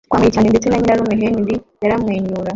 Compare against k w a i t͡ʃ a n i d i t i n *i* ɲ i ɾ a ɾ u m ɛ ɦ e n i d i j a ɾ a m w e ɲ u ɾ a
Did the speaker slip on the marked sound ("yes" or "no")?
yes